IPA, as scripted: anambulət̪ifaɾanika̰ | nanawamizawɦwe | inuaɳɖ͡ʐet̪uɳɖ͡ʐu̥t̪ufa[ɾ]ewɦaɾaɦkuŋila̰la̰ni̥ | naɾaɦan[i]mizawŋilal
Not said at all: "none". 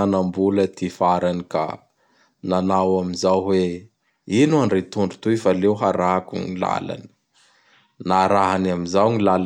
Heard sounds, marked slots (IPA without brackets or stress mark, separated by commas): l, a